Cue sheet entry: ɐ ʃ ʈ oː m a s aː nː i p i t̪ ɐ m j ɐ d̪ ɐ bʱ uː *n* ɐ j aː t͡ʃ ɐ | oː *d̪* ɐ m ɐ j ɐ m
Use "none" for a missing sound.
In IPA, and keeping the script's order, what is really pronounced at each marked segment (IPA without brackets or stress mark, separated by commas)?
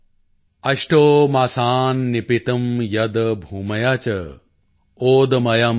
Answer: m, d̪